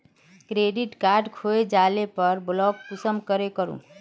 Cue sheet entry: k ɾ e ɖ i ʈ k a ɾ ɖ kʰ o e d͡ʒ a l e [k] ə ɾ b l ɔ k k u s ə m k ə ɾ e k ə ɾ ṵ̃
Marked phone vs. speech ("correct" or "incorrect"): incorrect